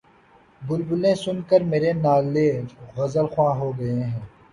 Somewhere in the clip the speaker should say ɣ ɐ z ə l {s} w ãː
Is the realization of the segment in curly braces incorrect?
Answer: yes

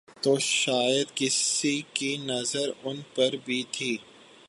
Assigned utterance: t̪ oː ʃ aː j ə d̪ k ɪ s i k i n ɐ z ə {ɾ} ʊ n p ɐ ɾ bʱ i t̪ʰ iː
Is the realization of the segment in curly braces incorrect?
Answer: no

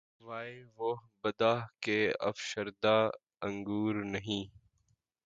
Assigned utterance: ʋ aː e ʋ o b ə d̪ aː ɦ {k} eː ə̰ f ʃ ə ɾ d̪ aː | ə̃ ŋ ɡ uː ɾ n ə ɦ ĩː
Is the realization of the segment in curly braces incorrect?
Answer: no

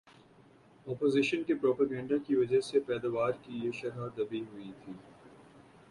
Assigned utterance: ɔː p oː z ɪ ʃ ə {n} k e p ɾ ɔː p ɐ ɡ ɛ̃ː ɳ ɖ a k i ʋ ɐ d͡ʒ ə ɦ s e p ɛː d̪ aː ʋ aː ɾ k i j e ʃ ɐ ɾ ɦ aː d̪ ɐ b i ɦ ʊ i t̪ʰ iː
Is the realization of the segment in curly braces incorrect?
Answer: no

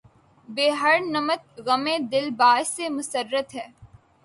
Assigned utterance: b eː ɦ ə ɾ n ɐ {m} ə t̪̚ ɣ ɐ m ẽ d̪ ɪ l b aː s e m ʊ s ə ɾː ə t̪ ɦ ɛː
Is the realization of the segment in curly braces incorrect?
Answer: no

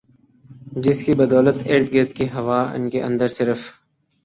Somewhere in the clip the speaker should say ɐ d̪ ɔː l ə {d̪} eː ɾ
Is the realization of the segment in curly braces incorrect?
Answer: yes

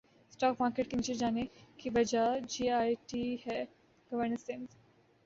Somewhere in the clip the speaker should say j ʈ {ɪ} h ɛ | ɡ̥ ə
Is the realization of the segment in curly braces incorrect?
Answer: yes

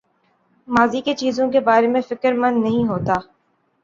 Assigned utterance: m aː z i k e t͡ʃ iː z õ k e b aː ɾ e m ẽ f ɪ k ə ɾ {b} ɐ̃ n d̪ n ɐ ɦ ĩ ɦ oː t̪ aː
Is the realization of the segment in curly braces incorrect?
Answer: yes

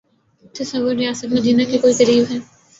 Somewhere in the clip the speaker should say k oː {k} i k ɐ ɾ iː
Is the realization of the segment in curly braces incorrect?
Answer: yes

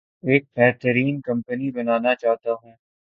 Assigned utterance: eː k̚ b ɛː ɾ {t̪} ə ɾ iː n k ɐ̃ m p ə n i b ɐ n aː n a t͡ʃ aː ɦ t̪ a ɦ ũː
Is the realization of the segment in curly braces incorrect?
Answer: no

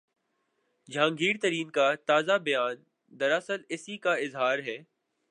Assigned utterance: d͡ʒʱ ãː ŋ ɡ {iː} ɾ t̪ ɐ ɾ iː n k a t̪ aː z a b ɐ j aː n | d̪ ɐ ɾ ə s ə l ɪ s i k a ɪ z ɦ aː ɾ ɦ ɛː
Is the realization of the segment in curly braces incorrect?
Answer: no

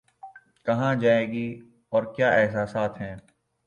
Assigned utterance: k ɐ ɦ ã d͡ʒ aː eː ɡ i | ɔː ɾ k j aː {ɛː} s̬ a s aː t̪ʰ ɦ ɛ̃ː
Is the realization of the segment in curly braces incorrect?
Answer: no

